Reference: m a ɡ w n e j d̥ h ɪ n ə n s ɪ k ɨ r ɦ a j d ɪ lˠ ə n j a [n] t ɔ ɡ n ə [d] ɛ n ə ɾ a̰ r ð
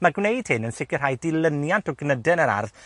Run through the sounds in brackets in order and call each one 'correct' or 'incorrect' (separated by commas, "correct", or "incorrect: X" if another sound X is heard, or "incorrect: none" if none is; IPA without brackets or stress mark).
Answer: correct, correct